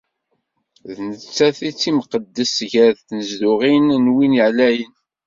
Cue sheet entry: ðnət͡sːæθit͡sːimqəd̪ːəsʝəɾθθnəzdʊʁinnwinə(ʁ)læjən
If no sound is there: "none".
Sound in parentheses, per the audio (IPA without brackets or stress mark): ʕ